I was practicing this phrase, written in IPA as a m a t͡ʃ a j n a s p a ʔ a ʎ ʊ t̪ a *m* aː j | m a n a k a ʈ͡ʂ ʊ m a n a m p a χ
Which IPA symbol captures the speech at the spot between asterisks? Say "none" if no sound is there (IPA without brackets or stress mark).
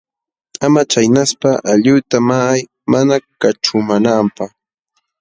m